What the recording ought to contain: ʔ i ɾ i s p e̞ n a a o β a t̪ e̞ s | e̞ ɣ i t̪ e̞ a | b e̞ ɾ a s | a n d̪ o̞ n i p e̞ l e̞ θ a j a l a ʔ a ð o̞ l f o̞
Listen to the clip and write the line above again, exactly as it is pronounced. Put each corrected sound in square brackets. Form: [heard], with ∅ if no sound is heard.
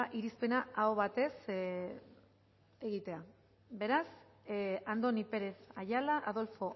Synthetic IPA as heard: ʔ i ɾ i s p e̞ n a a o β a t̪ e̞ s | e̞ ɣ i t̪ e̞ a | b e̞ ɾ a s | a n d̪ o̞ n i p e̞ [ɾ] e̞ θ a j a l a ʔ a ð o̞ l f o̞